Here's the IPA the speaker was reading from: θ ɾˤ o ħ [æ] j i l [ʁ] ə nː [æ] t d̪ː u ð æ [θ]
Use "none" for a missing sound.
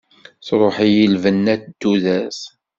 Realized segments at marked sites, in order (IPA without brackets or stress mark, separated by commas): i, v, æ, s